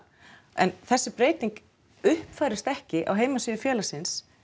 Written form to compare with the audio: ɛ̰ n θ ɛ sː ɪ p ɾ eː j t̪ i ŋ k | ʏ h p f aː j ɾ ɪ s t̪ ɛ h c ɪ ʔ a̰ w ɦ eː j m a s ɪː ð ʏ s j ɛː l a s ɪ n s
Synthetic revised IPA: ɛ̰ n θ ɛ sː ɪ p ɾ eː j t̪ i ŋ k | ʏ h p f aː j ɾ ɪ s t̪ ɛ h c ɪ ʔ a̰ w ɦ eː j m a s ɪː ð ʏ f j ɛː l a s ɪ n s